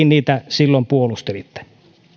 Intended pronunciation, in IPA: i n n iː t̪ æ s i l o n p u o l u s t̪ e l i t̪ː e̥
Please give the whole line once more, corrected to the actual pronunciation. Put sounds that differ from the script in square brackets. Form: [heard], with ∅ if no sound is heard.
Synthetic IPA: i n n iː t̪ æ s i [lː] o [m] p u o l u s t̪ e l i t̪ː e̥